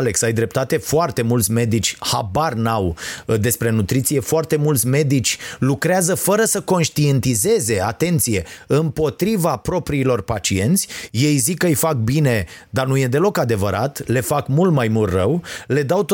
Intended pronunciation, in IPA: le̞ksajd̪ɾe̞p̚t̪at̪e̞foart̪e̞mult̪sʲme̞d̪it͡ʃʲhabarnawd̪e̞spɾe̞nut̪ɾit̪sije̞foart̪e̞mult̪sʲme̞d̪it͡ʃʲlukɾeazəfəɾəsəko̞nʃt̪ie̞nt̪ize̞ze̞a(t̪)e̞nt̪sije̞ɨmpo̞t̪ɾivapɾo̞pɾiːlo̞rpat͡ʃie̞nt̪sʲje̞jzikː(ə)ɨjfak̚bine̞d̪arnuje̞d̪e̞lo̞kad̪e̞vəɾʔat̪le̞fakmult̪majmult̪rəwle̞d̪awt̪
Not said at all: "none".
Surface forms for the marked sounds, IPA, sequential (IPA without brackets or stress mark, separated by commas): t̪, ə